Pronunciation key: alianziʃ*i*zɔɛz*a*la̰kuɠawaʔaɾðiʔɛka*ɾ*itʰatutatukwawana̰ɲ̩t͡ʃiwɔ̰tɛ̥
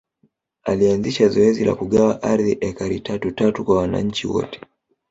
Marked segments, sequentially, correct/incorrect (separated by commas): incorrect, incorrect, correct